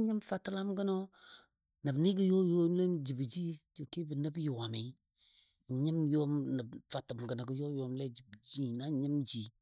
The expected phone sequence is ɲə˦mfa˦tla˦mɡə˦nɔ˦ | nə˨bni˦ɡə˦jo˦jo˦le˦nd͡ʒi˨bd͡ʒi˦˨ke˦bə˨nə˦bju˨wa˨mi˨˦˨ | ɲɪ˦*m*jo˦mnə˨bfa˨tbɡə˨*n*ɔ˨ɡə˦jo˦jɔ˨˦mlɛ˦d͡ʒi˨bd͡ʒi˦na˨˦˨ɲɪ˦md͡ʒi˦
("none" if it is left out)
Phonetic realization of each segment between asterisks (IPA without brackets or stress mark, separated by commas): m, n